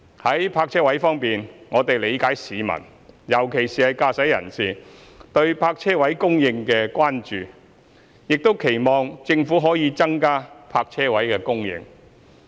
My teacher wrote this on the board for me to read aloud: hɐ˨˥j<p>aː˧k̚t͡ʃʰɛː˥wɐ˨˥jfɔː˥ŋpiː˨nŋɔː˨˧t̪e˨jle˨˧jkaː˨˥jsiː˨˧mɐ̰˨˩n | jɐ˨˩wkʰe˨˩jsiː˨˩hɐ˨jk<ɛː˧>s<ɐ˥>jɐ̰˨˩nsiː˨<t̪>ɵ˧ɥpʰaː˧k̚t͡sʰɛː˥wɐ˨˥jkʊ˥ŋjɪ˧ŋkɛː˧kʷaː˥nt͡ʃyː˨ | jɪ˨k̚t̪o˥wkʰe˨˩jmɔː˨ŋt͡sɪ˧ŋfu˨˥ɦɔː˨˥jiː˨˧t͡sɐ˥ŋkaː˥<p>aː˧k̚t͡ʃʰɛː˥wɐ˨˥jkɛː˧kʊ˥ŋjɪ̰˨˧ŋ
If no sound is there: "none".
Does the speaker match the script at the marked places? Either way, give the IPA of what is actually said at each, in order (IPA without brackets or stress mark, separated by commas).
pʰ, aː˧, ɐ˨˥, t̪, pʰ